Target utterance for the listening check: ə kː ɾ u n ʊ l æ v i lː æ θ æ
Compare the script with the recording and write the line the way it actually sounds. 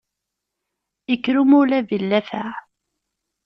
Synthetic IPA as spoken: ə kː ɾ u m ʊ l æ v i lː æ f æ